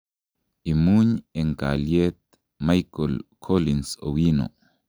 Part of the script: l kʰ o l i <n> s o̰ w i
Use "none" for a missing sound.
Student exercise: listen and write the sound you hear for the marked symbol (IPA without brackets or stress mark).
n